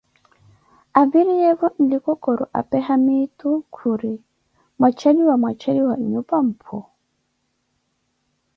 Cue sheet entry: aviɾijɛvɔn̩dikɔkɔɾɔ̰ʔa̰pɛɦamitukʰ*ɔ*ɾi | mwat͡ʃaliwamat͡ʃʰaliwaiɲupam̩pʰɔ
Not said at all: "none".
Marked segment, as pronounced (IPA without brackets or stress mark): u